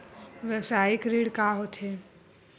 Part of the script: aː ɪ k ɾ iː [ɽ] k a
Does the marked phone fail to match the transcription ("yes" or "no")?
no